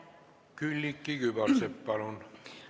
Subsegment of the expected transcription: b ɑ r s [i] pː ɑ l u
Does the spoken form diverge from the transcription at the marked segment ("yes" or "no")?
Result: yes